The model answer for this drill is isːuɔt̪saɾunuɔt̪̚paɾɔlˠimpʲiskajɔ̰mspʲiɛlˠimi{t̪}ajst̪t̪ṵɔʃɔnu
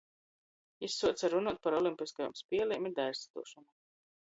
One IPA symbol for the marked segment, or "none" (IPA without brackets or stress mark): d̪